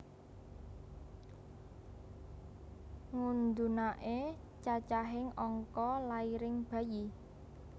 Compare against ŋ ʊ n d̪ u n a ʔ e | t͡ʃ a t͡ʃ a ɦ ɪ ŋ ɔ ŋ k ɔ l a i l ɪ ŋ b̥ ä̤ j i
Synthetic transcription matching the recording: ŋ u n d̪ u n a ʔ e | t͡ʃ a t͡ʃ a ɦ ɪ ŋ ɔ ŋ k ɔ l a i ɾ ɪ ŋ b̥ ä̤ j i